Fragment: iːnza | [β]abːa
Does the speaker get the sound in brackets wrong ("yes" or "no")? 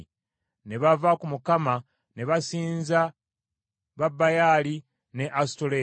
no